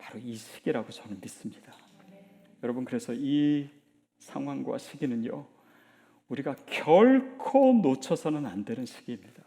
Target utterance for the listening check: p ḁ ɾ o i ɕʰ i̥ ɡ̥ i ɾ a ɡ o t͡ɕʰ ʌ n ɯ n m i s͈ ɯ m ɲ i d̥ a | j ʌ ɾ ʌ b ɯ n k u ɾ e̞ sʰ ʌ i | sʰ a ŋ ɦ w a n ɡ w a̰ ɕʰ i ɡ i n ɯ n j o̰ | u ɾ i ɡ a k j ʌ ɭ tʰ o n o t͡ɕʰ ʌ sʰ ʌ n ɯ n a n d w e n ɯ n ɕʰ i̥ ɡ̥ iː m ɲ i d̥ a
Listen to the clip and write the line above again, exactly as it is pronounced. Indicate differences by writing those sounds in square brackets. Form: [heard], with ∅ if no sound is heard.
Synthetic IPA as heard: p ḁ ɾ o i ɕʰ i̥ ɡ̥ i ɾ a ɡ o [t͡ɕ] ʌ n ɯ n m i s͈ ɯ m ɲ i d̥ a | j ʌ ɾ ʌ b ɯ n k [ɯ] ɾ e̞ sʰ ʌ i | sʰ a ŋ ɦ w a [ŋ] ɡ w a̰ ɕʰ i ɡ i n ɯ n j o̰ | u ɾ i ɡ a k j ʌ ɭ [kʰ] o n o t͡ɕʰ ʌ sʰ ʌ n ɯ n a n d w e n ɯ n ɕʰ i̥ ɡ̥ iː m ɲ i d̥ a